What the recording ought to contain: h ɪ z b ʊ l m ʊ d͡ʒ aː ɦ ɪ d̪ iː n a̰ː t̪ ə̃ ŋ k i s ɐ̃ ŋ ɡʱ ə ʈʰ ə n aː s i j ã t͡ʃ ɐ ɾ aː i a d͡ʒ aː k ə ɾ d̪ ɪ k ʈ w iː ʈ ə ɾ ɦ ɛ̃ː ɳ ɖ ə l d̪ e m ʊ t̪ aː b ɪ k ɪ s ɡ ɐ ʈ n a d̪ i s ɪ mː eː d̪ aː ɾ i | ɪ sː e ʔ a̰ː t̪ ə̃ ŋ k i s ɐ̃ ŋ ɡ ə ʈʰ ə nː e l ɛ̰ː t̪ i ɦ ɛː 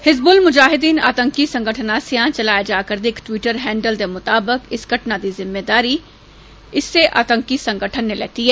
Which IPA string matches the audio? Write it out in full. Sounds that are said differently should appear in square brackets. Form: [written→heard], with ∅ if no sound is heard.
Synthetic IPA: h ɪ z b ʊ l m ʊ d͡ʒ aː ɦ ɪ d̪ iː n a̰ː t̪ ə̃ ŋ k i s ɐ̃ ŋ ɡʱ ə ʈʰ ə n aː s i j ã t͡ʃ ɐ [ɾ→l] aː [i→j] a d͡ʒ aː k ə ɾ d̪ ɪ k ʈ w iː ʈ ə ɾ ɦ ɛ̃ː ɳ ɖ ə l d̪ e m ʊ t̪ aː b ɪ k ɪ s ɡ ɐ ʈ n a d̪ i [s→z] ɪ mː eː d̪ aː ɾ i | ɪ sː e ʔ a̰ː t̪ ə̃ ŋ k i s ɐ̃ ŋ ɡ ə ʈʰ ə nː e l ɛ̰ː t̪ i ɦ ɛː